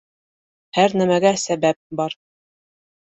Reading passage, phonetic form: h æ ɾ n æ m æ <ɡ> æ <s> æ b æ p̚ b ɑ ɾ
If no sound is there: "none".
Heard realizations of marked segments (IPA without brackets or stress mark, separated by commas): ɡ, s